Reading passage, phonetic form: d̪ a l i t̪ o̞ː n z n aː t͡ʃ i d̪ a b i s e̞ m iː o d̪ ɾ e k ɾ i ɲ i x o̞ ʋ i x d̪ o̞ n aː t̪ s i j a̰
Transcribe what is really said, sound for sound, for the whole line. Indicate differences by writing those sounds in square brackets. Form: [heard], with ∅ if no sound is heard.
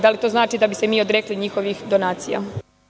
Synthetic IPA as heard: d̪ a l i t̪ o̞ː [∅] z n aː t͡ʃ i d̪ a b i s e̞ m iː o d̪ ɾ e k [l] i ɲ i x o̞ ʋ i x d̪ o̞ n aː t̪ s i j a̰